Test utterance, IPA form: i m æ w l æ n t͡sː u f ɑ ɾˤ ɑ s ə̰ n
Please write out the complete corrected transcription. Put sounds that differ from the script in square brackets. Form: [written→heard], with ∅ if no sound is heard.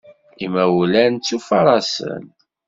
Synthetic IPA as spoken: i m æ w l æ n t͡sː u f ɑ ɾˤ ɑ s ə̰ n